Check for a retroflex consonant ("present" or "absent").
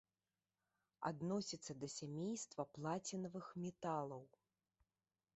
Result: absent